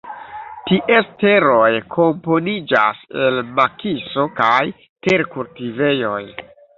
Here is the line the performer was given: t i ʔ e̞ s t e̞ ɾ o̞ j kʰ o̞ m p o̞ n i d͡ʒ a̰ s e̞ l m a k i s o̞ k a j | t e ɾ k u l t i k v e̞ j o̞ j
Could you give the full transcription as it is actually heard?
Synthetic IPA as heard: t i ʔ e̞ s t e̞ ɾ o̞ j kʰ o̞ m p o̞ n i d͡ʒ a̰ s e̞ l m a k i s o̞ k a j | t e ɾ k u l t i v e̞ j o̞ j